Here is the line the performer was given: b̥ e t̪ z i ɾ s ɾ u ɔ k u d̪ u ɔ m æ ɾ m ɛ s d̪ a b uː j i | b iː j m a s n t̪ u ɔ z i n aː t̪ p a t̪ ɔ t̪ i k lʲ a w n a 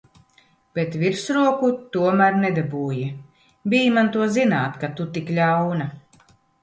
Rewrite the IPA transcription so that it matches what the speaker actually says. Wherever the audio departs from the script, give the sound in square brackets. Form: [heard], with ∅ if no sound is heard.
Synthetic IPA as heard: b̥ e t̪ [v] i ɾ s ɾ u ɔ k u [t̪] u ɔ m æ ɾ [n] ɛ [∅] d̪ a b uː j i | b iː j m a [∅] n t̪ u ɔ z i n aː t̪ [k] a t̪ [u] t̪ i k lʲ a w n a